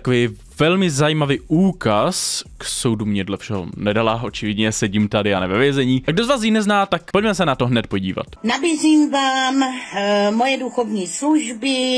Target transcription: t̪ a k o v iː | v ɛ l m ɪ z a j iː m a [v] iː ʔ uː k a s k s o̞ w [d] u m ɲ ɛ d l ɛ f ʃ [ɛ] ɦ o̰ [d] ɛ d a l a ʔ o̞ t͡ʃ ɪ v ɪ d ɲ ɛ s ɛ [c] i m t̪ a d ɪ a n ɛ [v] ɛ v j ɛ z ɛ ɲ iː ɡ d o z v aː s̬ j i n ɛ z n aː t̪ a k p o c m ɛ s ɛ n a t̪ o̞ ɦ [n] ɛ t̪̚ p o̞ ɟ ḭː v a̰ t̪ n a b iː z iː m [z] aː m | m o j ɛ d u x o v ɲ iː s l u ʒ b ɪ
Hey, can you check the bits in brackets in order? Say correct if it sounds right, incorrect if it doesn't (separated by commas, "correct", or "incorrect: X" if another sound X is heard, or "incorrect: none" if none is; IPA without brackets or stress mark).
correct, correct, correct, incorrect: n, incorrect: ɟ, correct, correct, incorrect: v